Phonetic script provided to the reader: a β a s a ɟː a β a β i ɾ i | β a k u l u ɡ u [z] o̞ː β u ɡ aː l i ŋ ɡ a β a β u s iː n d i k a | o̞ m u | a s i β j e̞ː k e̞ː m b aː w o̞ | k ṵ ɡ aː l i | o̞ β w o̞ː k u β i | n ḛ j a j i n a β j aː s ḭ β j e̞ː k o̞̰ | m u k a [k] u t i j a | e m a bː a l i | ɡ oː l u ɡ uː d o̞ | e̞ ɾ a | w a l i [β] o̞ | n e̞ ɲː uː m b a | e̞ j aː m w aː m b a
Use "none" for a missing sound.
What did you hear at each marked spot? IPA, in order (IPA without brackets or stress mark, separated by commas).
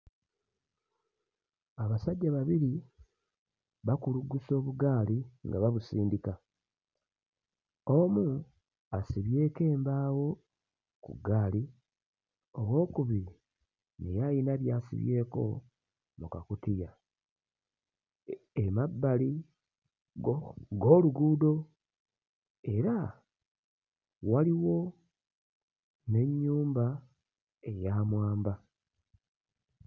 s, k, w